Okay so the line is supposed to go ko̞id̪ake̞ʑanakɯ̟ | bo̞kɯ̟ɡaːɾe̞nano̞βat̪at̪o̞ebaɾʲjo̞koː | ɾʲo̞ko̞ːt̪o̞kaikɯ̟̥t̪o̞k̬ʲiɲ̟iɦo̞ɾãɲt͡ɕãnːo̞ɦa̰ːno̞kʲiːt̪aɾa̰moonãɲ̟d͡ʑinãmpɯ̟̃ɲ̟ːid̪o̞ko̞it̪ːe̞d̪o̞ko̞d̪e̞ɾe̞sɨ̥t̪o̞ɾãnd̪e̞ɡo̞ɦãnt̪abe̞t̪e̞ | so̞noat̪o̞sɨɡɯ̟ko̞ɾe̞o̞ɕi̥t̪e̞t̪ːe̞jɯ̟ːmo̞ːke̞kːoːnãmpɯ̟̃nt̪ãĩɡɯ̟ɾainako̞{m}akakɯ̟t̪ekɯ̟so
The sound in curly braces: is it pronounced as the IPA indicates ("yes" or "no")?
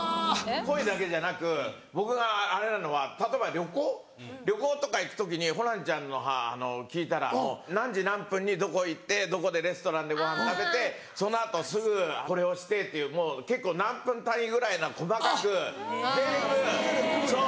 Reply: yes